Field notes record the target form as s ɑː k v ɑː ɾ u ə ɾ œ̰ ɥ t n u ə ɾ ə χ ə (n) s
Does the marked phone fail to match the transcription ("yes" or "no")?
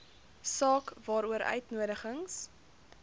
yes